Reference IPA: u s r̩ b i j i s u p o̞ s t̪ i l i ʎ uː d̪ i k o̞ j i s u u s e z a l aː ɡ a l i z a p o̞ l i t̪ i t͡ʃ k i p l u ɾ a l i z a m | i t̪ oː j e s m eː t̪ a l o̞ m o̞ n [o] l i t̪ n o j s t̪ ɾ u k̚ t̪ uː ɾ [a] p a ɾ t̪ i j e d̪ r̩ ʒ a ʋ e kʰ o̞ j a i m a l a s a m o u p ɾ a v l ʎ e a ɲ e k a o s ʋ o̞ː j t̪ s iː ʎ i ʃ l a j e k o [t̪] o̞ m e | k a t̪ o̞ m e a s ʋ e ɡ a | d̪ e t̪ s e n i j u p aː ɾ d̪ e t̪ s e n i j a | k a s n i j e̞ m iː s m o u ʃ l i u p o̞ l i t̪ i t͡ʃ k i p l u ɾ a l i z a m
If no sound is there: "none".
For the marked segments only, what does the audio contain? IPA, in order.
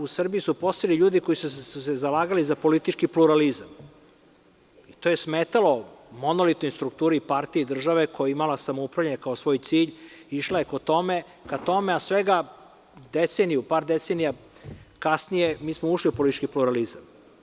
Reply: o, i, t̪

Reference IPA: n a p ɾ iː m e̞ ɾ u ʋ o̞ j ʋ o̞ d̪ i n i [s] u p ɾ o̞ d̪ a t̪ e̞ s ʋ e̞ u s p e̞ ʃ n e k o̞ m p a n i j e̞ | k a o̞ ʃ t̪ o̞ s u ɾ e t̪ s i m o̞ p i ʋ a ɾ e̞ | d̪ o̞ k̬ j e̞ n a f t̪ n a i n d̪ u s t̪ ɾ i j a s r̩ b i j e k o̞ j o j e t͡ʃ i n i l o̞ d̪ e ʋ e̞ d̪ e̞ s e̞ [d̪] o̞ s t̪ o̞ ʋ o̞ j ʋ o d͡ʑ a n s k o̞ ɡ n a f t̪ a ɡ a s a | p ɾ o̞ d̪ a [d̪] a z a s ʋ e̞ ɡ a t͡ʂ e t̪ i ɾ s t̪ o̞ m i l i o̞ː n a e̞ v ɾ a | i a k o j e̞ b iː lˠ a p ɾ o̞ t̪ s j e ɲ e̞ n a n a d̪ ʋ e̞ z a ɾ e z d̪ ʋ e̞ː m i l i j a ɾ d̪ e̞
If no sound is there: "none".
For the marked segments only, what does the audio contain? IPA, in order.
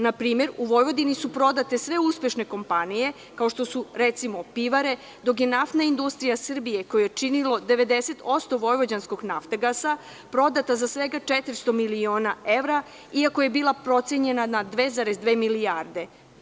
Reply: s, t̪, t̪

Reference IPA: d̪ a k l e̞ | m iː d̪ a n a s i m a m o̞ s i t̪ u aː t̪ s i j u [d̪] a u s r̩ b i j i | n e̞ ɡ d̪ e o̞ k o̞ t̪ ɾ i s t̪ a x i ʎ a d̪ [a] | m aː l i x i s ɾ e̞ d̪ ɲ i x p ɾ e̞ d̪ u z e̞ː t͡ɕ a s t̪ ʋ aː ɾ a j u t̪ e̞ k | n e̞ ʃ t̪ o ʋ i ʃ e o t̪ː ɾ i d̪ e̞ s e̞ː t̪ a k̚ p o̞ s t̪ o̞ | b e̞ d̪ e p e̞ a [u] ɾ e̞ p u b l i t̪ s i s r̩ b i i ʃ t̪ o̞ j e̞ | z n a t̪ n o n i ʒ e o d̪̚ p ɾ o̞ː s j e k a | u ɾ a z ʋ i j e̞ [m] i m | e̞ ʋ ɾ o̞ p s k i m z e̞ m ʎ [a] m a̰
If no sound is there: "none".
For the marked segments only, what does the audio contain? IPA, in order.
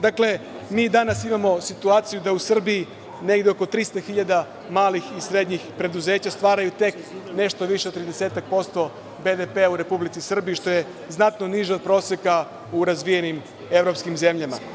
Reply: d̪, a, u, n, a

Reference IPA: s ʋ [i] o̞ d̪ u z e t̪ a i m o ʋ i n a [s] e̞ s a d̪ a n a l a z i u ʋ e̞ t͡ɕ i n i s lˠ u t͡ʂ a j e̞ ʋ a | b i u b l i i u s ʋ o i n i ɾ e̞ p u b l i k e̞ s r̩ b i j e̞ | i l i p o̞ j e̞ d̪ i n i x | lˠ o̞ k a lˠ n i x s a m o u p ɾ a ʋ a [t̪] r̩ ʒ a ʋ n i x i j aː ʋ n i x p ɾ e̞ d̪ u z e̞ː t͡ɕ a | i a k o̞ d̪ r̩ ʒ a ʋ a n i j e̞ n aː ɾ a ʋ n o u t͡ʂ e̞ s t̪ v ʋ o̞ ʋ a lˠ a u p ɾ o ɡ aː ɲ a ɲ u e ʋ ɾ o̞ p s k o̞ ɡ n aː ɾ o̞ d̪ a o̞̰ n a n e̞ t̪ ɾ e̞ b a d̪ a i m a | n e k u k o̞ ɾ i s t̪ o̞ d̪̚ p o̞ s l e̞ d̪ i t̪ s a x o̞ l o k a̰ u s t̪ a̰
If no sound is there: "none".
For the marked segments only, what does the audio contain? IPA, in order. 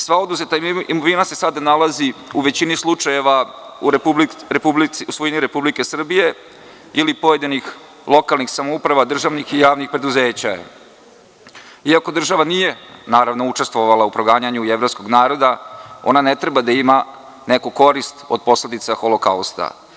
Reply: a, s, d̪

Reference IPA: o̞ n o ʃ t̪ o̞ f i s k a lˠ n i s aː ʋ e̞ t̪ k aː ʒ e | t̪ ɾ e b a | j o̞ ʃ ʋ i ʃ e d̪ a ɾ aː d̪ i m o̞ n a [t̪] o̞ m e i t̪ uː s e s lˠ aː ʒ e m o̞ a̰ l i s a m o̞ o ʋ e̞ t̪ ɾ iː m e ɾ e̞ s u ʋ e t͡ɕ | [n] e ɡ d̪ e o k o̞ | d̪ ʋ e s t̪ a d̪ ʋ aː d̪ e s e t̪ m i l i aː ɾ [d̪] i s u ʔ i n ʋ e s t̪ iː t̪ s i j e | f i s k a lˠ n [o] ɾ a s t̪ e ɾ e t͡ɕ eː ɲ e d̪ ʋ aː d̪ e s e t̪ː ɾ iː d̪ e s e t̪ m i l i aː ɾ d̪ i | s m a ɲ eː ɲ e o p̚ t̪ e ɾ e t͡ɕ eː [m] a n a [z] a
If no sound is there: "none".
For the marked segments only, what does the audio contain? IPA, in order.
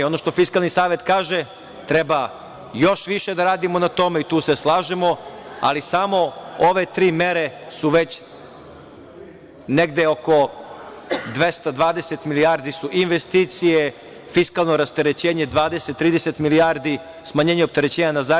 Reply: t̪, n, d̪, o, ɲ, z

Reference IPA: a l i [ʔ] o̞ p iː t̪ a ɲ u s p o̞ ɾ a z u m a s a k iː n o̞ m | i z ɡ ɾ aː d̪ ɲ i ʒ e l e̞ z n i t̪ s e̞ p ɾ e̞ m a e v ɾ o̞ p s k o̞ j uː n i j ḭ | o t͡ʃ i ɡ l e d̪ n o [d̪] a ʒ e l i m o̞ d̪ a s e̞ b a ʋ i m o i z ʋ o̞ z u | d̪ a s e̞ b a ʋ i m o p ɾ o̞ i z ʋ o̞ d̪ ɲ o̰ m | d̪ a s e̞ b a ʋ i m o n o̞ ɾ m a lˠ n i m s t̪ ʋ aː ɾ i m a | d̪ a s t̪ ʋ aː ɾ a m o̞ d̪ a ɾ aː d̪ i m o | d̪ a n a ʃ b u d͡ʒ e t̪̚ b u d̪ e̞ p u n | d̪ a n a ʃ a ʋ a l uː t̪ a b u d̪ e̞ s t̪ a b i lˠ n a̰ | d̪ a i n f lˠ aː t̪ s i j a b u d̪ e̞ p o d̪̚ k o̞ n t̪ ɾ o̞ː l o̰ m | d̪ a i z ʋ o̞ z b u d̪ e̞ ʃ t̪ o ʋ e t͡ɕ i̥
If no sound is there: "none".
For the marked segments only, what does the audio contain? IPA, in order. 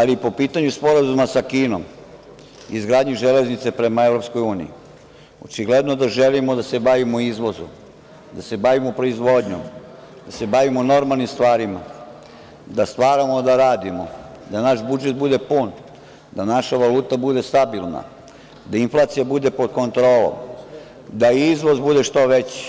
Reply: p, d̪

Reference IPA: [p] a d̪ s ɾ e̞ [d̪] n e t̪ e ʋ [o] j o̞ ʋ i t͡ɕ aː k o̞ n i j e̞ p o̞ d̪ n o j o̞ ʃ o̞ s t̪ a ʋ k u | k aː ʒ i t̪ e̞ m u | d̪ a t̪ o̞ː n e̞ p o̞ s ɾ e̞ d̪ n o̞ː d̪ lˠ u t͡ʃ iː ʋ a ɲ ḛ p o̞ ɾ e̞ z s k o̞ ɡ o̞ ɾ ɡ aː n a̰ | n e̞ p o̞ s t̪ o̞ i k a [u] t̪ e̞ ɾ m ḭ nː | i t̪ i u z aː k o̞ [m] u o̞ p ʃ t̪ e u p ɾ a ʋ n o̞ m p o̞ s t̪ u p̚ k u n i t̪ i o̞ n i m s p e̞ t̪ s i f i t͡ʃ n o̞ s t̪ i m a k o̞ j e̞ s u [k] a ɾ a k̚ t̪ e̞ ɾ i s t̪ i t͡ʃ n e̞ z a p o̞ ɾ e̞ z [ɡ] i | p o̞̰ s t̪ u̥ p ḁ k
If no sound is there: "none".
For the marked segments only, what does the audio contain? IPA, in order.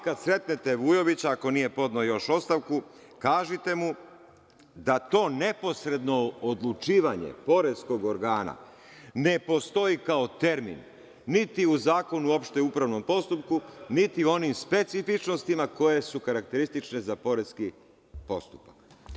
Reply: k, t̪, u, o, n, k, k

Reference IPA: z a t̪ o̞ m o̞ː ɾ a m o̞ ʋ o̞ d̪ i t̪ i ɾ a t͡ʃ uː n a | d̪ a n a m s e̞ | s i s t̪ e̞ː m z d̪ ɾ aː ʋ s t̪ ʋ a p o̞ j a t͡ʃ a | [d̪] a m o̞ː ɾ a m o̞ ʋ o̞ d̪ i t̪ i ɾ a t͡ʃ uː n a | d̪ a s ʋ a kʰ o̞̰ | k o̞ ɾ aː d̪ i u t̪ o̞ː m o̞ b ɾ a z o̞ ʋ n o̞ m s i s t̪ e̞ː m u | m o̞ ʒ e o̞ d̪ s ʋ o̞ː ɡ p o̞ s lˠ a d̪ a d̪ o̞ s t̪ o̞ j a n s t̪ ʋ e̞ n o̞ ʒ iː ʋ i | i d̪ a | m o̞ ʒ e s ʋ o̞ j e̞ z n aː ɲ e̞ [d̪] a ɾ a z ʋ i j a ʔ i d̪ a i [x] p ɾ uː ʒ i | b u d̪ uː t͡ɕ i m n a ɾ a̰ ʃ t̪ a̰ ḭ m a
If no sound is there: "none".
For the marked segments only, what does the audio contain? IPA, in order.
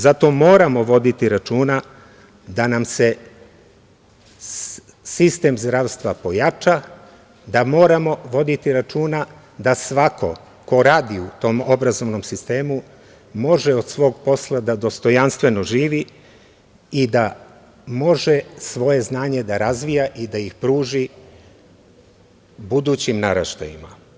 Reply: d̪, d̪, x

